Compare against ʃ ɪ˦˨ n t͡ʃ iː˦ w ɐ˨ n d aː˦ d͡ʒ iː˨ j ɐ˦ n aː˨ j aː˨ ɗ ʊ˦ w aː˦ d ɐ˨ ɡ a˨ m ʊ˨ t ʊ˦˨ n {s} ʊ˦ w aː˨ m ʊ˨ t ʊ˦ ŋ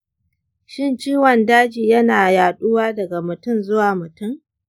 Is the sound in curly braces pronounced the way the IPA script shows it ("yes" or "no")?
no